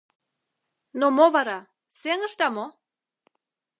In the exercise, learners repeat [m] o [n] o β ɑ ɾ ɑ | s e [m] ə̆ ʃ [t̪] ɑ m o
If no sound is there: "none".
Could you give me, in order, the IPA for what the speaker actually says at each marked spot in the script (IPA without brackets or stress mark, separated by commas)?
n, m, ŋ, t̪